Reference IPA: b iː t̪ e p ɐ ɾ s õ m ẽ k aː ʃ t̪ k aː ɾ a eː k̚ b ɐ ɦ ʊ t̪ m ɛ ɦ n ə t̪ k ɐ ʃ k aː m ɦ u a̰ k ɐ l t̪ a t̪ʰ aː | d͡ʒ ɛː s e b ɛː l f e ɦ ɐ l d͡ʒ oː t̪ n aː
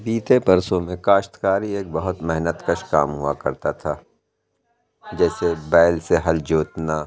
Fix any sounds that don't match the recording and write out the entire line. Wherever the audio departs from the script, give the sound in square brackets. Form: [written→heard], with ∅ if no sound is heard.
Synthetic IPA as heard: b iː t̪ e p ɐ ɾ s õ m ẽ k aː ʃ t̪ k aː ɾ [a→i] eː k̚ b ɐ ɦ ʊ t̪ m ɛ ɦ n ə t̪ k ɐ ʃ k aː m ɦ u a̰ k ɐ [l→ɾ] t̪ a t̪ʰ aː | d͡ʒ ɛː s e b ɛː l [f→s] e ɦ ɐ l d͡ʒ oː t̪ n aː